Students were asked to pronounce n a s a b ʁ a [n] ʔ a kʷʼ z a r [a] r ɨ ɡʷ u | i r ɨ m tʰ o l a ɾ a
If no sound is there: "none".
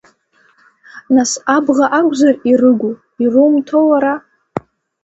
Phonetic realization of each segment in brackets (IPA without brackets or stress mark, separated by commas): none, i